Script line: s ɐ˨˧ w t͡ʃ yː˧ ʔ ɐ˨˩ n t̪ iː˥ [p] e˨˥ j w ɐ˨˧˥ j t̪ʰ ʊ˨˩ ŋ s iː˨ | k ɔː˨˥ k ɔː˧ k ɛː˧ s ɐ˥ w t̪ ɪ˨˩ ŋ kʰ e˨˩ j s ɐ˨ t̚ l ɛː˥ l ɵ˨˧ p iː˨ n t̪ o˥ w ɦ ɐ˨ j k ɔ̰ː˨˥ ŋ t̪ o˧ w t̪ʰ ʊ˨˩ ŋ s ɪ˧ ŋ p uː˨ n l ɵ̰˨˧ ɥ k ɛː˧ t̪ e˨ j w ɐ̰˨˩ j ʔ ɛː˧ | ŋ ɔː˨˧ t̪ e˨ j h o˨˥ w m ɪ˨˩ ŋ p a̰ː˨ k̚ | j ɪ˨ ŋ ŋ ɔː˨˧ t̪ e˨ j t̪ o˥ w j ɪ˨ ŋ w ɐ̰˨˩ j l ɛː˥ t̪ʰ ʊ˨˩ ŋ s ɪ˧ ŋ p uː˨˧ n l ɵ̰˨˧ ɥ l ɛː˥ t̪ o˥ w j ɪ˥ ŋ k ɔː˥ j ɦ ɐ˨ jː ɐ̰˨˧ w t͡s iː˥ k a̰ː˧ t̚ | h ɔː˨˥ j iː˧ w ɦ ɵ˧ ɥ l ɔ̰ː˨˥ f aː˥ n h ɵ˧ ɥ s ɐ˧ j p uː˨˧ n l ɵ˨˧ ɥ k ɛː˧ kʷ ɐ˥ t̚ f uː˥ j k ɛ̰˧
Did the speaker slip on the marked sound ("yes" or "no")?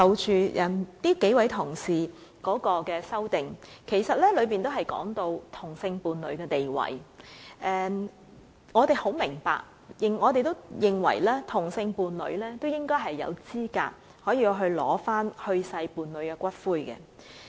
yes